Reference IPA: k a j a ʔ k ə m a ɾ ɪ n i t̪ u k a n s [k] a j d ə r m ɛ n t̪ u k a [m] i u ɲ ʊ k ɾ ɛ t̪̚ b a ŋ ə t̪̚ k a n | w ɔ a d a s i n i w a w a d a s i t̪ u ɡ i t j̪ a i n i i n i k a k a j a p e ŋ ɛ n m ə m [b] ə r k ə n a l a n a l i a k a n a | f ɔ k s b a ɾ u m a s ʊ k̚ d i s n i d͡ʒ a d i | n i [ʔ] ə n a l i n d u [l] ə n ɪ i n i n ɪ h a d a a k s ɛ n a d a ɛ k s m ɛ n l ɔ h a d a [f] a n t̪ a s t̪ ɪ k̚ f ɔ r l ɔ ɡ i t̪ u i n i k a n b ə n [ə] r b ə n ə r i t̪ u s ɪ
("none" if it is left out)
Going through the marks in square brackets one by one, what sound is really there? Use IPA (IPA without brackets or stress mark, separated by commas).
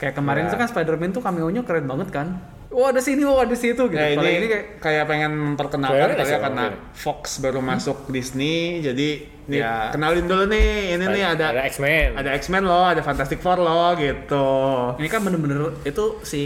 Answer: p, m, p, k, l, f, ə